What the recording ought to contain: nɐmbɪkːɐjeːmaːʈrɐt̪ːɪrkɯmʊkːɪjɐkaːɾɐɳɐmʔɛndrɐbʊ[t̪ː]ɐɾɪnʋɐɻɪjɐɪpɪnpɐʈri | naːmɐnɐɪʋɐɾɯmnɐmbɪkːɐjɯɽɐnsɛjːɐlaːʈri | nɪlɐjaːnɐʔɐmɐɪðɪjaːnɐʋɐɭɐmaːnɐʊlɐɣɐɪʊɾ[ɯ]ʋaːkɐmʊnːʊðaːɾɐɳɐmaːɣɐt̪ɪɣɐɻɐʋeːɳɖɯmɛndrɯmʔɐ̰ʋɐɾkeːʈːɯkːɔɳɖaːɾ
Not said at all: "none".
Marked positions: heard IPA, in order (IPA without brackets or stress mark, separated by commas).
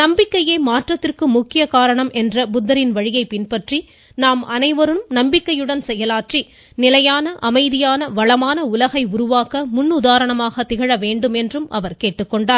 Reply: d̪ː, ʊ